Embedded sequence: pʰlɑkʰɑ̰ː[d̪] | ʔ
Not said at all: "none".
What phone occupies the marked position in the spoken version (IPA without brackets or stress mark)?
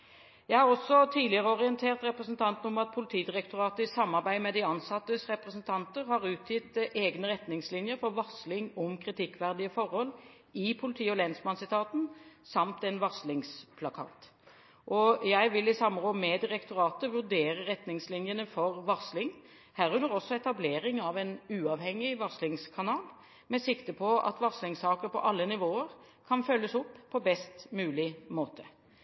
t̪